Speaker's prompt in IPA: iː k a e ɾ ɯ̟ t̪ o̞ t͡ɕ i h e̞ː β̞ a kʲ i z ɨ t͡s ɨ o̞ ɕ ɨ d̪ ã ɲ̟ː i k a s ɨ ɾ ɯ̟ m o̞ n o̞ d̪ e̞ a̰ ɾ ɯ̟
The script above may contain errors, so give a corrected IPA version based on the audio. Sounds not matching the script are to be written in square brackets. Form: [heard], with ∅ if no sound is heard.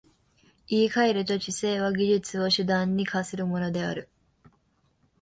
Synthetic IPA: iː k a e ɾ ɯ̟ t̪ o̞ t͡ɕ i [s] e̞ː β̞ a [ɡʲ] i [ʑ] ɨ t͡s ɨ o̞ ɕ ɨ d̪ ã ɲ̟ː i k a s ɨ ɾ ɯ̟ m o̞ n o̞ d̪ e̞ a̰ ɾ ɯ̟